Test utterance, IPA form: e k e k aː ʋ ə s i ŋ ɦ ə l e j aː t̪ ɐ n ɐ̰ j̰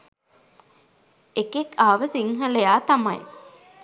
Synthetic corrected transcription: e k e k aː ʋ ə s i ŋ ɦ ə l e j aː t̪ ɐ m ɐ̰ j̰